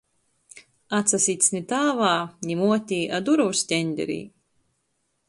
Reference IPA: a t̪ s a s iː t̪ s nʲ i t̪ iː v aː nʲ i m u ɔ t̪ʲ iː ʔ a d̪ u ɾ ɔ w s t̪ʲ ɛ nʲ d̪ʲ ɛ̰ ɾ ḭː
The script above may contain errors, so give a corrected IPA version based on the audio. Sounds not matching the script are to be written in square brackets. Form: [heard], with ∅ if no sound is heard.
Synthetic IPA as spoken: a t̪ s a s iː t̪ s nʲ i t̪ [aː] v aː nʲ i m u ɔ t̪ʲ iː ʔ a d̪ u ɾ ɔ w s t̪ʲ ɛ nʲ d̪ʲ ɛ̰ ɾ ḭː